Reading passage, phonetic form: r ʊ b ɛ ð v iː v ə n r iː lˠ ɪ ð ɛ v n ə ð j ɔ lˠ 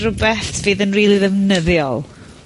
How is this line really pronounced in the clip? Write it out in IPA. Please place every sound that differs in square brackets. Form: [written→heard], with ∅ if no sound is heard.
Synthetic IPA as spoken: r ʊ b ɛ [ð→θ] v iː [v→ð] ə n r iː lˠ [ɪ→i] ð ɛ v n ə ð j ɔ lˠ